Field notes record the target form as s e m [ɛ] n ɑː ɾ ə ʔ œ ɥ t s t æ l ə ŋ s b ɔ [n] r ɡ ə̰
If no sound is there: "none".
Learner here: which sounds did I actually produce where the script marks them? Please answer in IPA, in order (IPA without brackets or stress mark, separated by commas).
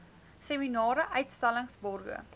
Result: i, none